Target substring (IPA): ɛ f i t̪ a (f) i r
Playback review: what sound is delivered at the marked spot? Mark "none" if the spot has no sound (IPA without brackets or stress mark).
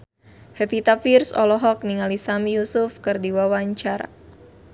f